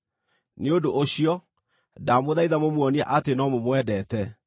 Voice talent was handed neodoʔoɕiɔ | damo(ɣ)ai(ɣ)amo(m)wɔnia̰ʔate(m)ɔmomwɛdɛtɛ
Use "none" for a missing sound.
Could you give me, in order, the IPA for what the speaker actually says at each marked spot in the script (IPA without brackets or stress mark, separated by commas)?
ð, ð, m, n